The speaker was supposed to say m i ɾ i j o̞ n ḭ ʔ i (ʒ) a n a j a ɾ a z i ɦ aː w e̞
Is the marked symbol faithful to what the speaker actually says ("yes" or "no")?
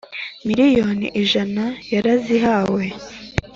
yes